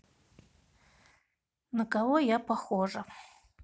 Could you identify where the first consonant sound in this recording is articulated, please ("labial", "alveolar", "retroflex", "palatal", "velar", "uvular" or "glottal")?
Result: alveolar